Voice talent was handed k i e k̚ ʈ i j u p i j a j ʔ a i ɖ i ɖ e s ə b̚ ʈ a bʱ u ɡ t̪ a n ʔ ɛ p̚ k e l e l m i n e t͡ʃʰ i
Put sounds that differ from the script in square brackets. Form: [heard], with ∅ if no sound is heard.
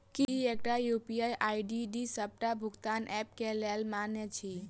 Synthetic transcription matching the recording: k i e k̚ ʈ [a] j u p i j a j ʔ a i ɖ i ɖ [i] s ə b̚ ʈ a bʱ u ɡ t̪ a n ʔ ɛ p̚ k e l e l m [a] n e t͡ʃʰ i